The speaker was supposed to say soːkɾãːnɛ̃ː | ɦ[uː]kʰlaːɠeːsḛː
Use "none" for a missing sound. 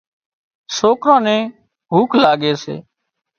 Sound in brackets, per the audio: uː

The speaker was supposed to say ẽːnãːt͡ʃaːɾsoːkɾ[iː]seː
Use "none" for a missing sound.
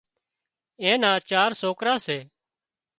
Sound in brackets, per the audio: aː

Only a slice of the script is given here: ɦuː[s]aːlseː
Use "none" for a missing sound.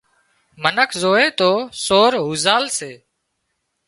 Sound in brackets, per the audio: z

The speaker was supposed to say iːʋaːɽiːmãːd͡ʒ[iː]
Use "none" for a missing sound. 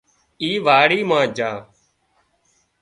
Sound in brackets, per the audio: aː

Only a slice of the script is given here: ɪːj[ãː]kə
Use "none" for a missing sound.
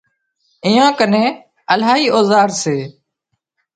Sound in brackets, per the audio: ãː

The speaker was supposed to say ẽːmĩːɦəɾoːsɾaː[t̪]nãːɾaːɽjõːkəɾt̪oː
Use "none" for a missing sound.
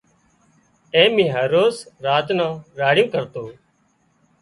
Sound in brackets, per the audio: t̪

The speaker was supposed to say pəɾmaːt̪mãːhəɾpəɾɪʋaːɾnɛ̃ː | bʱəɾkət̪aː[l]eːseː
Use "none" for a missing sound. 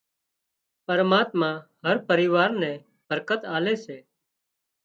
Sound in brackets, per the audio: l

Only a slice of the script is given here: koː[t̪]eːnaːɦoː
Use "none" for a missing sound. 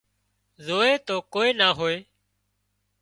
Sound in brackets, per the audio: none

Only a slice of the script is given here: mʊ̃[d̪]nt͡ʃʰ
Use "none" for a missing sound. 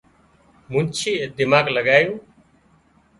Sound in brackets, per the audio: none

